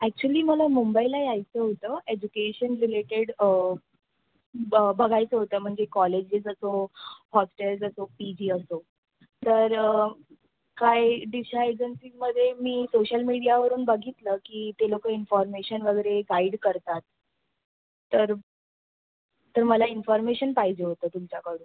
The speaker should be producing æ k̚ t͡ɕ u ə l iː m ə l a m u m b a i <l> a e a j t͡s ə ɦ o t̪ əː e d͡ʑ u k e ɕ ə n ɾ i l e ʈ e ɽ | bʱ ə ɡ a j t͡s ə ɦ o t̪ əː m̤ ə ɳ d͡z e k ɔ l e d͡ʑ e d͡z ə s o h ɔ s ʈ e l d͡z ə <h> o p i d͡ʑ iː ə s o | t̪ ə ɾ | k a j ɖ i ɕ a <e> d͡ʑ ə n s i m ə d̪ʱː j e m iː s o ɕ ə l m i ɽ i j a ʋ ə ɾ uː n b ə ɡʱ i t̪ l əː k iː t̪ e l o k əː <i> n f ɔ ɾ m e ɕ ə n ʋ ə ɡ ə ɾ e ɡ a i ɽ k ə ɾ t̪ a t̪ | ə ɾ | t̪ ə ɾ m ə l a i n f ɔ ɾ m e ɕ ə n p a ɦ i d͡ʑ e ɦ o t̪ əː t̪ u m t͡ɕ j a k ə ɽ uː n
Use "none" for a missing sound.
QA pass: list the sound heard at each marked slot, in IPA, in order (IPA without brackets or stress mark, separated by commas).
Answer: l, s, e, i